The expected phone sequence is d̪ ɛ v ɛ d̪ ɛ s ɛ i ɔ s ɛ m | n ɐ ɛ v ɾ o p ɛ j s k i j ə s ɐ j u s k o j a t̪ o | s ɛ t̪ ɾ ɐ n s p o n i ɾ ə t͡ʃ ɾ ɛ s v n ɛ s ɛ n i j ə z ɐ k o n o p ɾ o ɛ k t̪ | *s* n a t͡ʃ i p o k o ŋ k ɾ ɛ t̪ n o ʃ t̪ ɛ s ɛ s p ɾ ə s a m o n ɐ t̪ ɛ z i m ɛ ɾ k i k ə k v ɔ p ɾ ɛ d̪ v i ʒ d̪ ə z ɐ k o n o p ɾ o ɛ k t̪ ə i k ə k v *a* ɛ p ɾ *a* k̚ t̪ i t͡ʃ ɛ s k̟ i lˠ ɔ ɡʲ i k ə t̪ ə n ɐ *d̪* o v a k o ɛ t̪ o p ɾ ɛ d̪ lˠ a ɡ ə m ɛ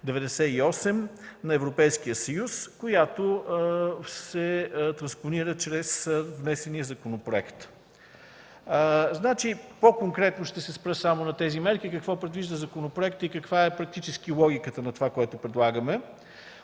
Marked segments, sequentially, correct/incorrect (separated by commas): incorrect, correct, incorrect, incorrect